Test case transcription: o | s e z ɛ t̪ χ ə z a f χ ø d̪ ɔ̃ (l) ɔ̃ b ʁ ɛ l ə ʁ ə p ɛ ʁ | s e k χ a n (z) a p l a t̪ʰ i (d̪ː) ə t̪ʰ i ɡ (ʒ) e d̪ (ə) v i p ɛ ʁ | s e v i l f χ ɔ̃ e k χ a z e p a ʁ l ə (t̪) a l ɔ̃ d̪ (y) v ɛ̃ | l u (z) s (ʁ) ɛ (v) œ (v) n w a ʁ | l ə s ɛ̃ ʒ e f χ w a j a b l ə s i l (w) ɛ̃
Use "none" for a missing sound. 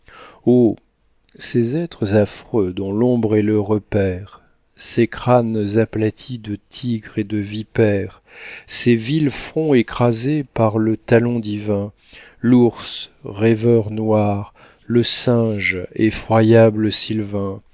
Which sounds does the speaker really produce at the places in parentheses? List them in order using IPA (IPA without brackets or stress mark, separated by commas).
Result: l, z, d̪, ʁ, ə, t̪, i, ʁ, ʁ, v, ʁ, v